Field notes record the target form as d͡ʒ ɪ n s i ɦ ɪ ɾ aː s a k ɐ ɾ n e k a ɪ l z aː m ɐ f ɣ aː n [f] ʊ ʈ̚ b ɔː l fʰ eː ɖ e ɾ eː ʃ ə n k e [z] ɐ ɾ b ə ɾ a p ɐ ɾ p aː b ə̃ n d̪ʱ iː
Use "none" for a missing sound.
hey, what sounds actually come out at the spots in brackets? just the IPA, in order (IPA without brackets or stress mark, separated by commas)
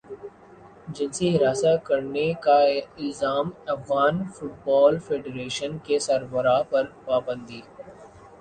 f, s